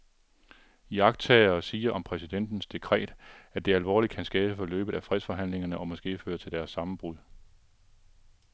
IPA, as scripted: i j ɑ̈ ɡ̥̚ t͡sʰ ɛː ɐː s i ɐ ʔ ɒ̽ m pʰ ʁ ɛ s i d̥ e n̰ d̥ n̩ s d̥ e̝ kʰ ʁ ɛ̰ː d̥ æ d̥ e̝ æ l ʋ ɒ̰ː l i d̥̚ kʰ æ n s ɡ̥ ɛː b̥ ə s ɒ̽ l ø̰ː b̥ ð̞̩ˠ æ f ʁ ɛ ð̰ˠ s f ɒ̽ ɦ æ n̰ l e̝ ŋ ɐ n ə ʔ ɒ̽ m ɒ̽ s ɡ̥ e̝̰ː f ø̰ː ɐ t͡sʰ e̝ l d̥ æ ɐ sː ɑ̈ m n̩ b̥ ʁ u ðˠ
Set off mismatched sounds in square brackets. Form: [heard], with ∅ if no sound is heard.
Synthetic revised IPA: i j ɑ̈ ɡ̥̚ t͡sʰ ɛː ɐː s [iː] ɐ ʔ ɒ̽ m pʰ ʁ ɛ s i d̥ e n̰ d̥ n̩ s d̥ e̝ kʰ ʁ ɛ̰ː d̥ æ d̥ e̝ æ l ʋ ɒ̰ː l i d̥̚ kʰ æ n s ɡ̥ ɛː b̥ ə [f] ɒ̽ l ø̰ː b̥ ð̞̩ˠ æ f ʁ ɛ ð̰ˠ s f ɒ̽ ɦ æ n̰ l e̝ ŋ ɐ n ə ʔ ɒ̽ m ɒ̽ s ɡ̥ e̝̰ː f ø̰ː ɐ t͡sʰ e̝ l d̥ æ ɐ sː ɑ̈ m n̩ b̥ ʁ u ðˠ